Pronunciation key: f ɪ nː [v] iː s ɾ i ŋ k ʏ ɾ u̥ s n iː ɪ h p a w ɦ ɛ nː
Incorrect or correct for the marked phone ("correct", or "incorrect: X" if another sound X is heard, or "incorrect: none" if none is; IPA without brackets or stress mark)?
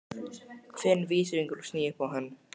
correct